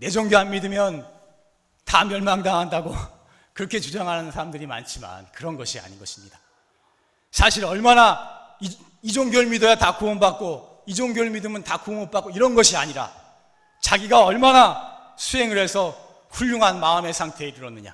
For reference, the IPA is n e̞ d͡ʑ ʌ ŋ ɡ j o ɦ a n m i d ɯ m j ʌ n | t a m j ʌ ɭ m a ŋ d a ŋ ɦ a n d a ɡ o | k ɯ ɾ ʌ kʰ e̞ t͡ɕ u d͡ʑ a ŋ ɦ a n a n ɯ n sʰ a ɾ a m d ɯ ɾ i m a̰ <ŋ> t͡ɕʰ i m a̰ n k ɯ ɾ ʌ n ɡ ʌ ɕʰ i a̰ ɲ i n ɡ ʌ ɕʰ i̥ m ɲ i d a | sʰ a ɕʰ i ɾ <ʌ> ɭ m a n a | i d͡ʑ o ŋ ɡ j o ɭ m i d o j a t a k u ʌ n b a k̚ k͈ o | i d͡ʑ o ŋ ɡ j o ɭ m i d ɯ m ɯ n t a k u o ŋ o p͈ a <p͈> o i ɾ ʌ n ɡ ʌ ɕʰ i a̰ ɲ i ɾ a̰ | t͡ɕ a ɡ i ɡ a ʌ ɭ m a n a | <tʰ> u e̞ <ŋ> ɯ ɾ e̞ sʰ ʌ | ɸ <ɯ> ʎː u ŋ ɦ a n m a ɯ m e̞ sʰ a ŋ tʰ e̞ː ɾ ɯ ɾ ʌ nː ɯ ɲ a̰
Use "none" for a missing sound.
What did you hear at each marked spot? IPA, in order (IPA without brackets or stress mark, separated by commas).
n, ʌ, k͈, sʰ, ŋ, u